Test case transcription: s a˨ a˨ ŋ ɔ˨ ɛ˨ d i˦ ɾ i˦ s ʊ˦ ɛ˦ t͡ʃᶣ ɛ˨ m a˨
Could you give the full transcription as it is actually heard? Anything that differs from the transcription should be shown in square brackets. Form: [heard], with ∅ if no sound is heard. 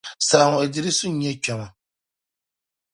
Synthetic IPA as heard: s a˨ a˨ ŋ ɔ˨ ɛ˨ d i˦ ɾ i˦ s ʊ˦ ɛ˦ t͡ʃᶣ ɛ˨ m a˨